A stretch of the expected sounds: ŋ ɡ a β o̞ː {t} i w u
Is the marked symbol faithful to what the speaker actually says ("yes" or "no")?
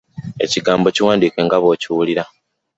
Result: no